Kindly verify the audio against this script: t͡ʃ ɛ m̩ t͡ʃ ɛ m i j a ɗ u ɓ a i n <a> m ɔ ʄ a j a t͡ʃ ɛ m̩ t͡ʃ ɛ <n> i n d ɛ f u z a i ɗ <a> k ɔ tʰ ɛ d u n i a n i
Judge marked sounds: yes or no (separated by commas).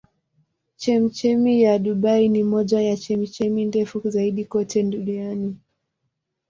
no, no, no